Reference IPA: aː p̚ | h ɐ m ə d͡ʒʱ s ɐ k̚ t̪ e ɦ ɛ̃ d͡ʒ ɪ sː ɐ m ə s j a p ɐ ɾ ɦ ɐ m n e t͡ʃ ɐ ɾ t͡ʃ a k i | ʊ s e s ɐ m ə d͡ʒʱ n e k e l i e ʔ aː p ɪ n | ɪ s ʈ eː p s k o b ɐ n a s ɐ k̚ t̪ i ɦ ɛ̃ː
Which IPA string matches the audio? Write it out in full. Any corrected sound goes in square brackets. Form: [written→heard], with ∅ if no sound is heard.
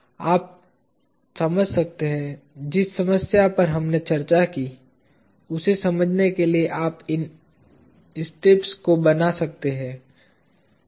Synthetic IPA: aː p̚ | [h→s] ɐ m ə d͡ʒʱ s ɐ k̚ t̪ e ɦ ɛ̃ d͡ʒ ɪ sː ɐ m ə s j a p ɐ ɾ ɦ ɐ m n e t͡ʃ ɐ ɾ t͡ʃ a k i | ʊ s e s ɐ m ə d͡ʒʱ n e k e l i e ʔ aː p ɪ n | ɪ s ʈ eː p s k o b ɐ n a s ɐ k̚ t̪ [i→e] ɦ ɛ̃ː

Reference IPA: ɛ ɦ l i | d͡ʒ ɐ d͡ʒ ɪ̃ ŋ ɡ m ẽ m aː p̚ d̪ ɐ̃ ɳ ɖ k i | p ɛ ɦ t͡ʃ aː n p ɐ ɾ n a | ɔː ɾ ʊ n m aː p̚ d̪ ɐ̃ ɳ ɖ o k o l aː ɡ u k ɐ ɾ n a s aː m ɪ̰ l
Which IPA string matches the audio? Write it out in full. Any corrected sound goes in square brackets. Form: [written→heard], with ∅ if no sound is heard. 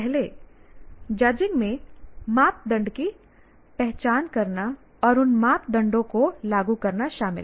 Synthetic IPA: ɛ ɦ l [i→e] | d͡ʒ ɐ d͡ʒ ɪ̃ ŋ ɡ m ẽ m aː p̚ d̪ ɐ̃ ɳ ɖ k i | p ɛ ɦ t͡ʃ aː n [p→k] ɐ ɾ n a | ɔː ɾ ʊ n m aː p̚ d̪ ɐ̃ ɳ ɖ [o→õ] k o l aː ɡ u k ɐ ɾ n a [s→ʃ] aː m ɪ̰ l

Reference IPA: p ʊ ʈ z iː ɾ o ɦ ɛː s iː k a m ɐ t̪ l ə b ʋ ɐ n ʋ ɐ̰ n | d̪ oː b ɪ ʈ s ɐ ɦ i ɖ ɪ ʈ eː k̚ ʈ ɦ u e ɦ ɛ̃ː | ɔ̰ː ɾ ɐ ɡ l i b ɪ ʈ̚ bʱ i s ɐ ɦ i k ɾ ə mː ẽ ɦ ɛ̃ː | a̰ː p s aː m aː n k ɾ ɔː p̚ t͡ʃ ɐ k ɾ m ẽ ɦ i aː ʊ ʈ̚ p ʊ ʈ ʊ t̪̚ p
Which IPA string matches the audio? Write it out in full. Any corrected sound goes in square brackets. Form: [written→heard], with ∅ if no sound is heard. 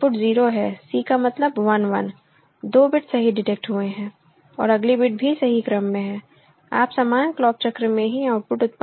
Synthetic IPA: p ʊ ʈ z iː ɾ o ɦ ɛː s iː k a m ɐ t̪ l ə b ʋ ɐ n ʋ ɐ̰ n | d̪ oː b ɪ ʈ s ɐ ɦ i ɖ ɪ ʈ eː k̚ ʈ ɦ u e ɦ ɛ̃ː | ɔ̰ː ɾ ɐ ɡ l i b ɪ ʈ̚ bʱ i s ɐ ɦ i k ɾ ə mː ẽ ɦ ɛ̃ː | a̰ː p s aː m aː n k [ɾ→l] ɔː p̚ t͡ʃ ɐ k ɾ m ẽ ɦ i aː ʊ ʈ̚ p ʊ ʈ ʊ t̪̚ p

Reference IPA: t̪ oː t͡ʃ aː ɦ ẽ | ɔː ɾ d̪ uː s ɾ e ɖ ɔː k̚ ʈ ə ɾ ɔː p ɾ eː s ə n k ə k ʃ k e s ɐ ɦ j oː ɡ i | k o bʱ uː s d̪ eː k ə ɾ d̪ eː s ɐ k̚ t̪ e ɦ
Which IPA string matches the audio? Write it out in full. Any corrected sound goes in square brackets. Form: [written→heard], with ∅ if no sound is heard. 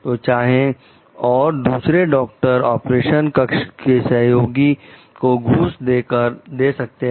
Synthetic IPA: t̪ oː t͡ʃ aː ɦ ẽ | ɔː ɾ d̪ uː s ɾ e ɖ ɔː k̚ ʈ ə ɾ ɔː p ɾ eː [s→ʃ] ə n k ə k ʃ k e s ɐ ɦ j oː ɡ i | k o [bʱ→ɡʱ] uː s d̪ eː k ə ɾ d̪ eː s ɐ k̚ t̪ e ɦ

